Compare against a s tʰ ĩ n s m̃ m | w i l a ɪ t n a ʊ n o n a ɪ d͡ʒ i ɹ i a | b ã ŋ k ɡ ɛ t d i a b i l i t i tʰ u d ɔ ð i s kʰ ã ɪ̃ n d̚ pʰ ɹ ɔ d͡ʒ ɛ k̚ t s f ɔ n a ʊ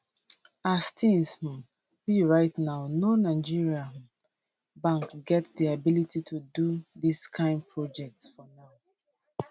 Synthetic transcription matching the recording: a s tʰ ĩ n s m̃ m | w i ɹ a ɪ t n a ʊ n o n a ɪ d͡ʒ i ɹ i a | b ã ŋ k ɡ ɛ t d i a b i l i t i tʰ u d u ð i s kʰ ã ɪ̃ n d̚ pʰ ɹ ɔ d͡ʒ ɛ k̚ t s f ɔ n a ʊ